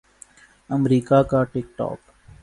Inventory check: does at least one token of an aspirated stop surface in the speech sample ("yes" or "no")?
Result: no